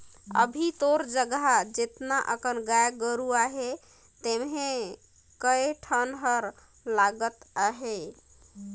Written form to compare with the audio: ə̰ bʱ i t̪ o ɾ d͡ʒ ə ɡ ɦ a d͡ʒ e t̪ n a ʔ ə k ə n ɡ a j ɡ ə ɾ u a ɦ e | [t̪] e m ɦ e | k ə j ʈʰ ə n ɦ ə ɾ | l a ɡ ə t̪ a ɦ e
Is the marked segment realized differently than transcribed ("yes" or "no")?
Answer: no